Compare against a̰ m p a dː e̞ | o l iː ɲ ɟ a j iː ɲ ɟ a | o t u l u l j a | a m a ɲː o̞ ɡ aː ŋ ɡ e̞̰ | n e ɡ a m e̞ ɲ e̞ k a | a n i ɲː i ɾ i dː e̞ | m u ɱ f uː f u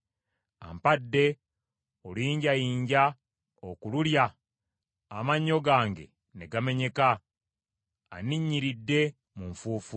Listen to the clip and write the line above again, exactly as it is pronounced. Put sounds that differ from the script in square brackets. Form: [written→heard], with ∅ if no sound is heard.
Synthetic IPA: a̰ m p a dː e̞ | o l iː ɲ ɟ a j iː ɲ ɟ a | o [t→k] u l u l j a | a m a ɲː o̞ ɡ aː ŋ ɡ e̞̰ | n e ɡ a m e̞ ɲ e̞ k a | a n i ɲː i ɾ i dː e̞ | m u ɱ f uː f u